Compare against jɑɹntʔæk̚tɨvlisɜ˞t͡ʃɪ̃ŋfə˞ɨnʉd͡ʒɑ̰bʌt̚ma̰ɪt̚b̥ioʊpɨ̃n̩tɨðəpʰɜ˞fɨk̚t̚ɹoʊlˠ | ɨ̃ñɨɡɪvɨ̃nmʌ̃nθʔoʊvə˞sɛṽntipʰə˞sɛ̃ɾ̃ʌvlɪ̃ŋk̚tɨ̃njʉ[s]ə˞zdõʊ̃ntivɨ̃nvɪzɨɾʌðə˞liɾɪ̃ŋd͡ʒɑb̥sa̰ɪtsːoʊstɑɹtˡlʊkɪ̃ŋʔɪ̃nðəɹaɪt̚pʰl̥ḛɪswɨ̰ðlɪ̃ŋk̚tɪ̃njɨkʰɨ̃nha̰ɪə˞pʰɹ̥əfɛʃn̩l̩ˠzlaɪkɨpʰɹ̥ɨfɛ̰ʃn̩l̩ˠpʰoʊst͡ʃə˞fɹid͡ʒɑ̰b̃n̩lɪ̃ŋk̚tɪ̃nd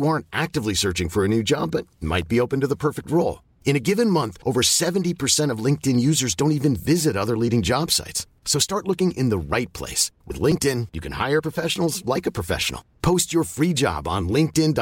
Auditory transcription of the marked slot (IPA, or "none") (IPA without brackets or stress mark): z